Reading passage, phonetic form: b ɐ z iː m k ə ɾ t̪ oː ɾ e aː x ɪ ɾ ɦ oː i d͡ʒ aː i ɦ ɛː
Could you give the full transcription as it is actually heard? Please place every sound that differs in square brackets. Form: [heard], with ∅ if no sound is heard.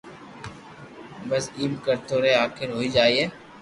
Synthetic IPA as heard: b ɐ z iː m k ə ɾ t̪ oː ɾ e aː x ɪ ɾ ɦ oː i d͡ʒ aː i ɦ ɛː